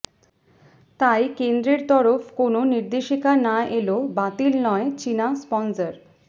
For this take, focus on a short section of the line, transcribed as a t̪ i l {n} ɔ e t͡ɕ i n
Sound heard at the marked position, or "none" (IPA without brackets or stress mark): n